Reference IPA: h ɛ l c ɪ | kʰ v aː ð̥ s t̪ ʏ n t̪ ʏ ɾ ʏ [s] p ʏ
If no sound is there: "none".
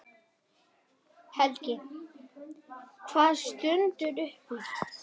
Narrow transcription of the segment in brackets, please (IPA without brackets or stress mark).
h